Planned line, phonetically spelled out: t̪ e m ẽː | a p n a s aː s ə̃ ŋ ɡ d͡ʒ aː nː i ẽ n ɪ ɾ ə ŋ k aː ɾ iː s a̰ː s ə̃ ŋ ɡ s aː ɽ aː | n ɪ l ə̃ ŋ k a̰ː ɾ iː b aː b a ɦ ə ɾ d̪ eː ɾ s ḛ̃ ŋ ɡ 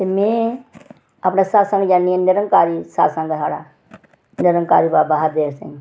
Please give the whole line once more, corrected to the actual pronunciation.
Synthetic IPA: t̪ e m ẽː | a p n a s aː s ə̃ ŋ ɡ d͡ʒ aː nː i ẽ n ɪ ɾ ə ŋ k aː ɾ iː s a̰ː s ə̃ ŋ ɡ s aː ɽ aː | n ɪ ɾ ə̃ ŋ k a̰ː ɾ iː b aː b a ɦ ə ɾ d̪ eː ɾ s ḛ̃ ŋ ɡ